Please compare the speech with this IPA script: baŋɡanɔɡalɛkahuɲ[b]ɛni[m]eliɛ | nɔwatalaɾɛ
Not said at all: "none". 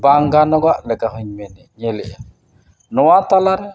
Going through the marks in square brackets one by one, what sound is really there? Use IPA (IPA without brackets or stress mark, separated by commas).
m, ɲ